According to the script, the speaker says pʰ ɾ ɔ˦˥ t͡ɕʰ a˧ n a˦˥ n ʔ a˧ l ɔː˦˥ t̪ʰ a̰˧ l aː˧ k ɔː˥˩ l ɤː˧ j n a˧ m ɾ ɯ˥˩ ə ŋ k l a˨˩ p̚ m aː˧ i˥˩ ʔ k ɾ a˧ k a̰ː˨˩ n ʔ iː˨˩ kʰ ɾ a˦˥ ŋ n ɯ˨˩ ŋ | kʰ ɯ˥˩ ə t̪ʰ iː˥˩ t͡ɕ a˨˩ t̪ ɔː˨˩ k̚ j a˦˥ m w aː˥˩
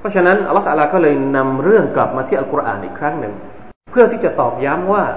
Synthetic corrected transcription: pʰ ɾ ɔ˦˥ t͡ɕʰ a˧ n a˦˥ n ʔ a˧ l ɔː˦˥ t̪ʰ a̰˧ l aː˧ k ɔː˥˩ l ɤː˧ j n a˧ m ɾ ɯ˥˩ ə ŋ k l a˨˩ p̚ m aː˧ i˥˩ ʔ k ɾ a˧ ʔ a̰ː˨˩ n ʔ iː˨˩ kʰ ɾ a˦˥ ŋ n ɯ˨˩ ŋ | pʰ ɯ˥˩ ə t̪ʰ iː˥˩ t͡ɕ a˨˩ t̪ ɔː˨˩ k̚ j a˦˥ m w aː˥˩